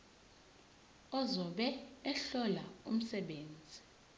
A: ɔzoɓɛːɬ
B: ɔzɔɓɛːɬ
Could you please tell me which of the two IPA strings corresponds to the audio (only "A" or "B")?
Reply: B